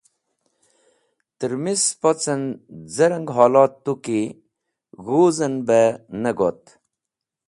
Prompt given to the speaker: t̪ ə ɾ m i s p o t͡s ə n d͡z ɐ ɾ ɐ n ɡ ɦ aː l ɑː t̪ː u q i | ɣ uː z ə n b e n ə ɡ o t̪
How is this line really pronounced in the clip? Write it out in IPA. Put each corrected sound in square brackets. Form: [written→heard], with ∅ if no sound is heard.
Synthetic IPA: t̪ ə ɾ m i s p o t͡s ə n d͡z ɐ ɾ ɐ [n→ŋ] ɡ ɦ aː l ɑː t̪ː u [q→k] i | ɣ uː z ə n b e n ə ɡ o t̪